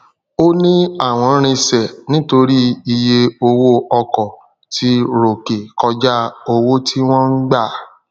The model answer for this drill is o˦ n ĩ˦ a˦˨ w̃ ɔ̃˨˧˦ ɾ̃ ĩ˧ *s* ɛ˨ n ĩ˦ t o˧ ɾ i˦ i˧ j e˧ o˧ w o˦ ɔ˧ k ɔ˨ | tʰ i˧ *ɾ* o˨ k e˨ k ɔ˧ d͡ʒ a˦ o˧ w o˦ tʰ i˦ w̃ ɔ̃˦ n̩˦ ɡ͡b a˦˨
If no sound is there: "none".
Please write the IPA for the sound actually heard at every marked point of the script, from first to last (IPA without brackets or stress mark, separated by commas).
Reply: s, ɾ